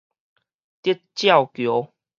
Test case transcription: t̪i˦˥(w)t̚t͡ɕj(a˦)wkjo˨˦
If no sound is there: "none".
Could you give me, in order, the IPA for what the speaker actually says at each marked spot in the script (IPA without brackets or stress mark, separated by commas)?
none, a˥˨